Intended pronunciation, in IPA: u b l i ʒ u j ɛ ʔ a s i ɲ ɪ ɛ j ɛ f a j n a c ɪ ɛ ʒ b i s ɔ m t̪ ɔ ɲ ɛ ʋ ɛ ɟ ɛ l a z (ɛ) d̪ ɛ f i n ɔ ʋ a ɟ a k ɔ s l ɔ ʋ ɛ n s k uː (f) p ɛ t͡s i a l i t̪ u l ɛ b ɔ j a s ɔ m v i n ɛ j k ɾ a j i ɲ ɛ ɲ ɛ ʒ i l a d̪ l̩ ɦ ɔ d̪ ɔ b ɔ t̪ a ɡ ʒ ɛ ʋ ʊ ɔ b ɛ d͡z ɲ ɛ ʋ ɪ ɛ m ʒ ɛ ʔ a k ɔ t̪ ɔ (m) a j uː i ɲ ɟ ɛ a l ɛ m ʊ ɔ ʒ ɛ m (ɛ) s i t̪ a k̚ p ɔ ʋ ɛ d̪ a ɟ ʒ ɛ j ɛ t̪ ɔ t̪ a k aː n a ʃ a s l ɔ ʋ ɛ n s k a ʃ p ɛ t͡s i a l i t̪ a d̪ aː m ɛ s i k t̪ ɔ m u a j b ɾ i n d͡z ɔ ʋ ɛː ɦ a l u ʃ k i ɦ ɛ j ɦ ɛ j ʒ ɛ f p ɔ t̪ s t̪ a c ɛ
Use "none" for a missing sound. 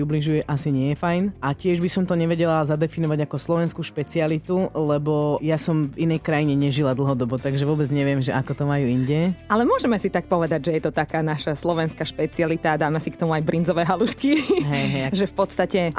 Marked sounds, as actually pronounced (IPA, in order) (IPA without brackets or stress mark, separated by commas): a, ʃ, m, ɛ